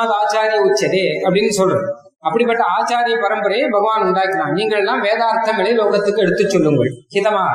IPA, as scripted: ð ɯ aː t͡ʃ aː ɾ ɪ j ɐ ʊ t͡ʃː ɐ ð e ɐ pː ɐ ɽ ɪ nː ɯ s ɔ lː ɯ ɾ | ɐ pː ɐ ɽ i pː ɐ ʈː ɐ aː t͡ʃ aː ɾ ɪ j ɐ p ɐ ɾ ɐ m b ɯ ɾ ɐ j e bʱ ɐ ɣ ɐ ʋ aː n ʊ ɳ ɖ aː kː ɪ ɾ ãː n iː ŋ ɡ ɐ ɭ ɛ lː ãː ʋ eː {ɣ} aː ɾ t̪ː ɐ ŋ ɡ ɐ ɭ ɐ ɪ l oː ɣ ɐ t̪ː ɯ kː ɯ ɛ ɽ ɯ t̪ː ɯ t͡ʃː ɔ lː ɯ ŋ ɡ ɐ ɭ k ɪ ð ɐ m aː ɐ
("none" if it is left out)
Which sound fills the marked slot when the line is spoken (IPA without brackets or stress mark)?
ð